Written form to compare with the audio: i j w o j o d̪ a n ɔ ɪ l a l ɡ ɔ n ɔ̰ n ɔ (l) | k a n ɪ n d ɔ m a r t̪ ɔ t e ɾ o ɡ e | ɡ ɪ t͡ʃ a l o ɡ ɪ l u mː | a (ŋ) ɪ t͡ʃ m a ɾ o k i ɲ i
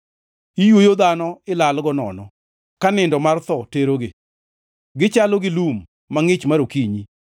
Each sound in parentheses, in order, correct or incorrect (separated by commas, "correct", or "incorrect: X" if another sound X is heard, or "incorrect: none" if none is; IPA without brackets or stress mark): incorrect: none, correct